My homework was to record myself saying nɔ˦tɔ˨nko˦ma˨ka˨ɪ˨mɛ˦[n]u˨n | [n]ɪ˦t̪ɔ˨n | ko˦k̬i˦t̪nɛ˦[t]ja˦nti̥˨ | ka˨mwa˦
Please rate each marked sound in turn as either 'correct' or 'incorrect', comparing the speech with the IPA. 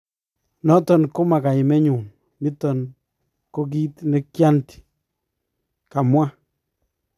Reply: incorrect: ɲ, incorrect: m, incorrect: k

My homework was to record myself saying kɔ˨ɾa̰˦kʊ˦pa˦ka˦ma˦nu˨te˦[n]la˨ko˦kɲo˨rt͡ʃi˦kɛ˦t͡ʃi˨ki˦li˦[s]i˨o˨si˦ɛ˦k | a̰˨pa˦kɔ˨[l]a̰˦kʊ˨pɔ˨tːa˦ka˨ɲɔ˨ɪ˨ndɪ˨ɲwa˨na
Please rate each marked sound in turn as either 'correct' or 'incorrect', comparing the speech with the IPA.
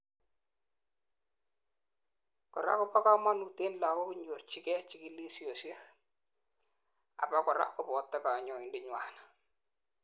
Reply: correct, correct, incorrect: ɾ

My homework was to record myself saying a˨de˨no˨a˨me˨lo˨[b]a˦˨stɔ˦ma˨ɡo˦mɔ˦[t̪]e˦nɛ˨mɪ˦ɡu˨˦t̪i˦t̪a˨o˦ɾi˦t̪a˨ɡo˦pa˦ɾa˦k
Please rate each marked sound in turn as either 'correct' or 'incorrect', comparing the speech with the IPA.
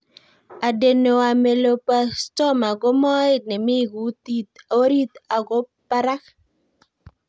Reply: incorrect: p, incorrect: none

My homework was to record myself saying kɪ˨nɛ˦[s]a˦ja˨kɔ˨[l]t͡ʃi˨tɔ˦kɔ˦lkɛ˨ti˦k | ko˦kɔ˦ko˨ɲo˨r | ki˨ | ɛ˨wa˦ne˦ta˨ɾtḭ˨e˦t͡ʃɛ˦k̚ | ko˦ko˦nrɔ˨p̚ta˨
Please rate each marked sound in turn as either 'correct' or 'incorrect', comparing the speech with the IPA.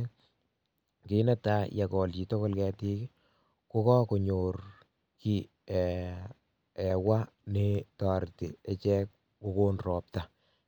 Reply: incorrect: t, correct

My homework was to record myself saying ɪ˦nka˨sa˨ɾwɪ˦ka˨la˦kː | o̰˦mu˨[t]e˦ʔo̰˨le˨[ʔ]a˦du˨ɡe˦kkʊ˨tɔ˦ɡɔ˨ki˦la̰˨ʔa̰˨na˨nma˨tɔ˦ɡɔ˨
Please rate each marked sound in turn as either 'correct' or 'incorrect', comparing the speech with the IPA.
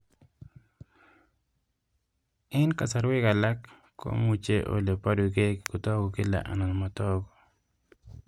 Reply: incorrect: t͡ʃ, incorrect: p

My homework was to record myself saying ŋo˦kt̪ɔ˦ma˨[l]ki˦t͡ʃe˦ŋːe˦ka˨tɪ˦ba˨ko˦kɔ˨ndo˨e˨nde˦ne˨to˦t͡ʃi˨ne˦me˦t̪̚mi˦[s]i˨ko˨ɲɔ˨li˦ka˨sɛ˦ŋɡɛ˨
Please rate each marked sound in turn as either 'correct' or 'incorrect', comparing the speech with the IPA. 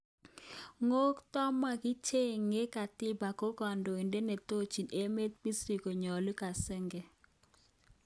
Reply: incorrect: none, correct

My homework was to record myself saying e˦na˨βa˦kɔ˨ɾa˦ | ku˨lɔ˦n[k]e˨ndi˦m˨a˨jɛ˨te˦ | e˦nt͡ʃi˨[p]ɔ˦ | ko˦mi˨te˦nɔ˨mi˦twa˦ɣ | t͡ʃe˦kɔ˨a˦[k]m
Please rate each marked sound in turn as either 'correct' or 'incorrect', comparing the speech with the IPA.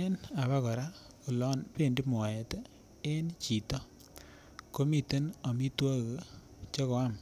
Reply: incorrect: p, incorrect: t, incorrect: none

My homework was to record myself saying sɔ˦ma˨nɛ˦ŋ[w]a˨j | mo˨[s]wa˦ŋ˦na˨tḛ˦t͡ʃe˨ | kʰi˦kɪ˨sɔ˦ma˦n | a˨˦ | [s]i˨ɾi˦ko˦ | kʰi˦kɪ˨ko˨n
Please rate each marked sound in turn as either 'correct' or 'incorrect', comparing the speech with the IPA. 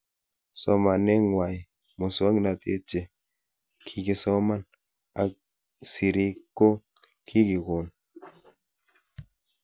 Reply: correct, correct, correct

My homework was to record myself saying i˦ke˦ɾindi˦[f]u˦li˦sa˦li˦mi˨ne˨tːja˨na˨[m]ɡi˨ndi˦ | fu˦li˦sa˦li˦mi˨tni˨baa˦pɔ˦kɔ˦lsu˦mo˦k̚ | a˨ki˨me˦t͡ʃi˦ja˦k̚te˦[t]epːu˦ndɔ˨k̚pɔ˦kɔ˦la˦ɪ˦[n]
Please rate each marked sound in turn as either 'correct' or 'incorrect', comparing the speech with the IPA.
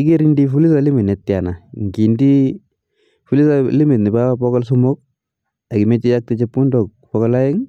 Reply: correct, incorrect: ŋ, incorrect: t͡ʃ, incorrect: ŋ

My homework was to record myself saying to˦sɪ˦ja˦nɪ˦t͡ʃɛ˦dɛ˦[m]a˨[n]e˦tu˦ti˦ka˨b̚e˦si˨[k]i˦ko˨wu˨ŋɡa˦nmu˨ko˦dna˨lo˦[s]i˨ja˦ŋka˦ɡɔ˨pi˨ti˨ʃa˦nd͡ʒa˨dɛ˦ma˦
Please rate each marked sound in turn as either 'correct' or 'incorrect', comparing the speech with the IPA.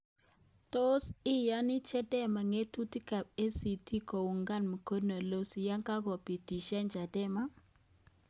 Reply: correct, incorrect: ŋ, incorrect: t, correct

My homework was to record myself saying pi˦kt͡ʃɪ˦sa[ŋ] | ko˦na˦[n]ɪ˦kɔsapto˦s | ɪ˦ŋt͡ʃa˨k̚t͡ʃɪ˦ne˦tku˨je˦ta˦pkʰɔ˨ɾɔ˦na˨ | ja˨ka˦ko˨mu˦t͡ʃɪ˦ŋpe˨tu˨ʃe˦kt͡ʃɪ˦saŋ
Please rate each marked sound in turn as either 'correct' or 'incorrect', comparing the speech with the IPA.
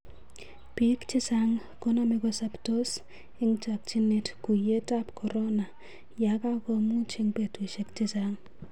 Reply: correct, incorrect: m

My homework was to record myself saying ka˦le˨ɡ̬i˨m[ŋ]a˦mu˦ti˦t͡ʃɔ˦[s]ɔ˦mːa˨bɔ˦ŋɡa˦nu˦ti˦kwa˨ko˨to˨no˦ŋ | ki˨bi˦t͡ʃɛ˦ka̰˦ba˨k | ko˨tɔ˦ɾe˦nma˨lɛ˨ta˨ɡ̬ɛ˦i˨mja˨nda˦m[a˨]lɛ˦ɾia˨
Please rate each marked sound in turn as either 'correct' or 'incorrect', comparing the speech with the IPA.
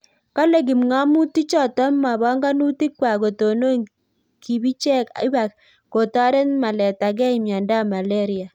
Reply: correct, incorrect: t, correct

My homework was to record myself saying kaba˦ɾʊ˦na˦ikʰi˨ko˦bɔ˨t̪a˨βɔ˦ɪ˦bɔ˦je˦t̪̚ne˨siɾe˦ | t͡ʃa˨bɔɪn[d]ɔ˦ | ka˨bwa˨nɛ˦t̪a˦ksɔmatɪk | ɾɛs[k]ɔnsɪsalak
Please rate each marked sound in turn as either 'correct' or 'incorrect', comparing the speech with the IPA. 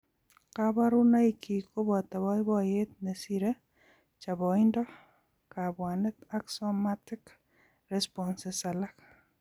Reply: correct, incorrect: p

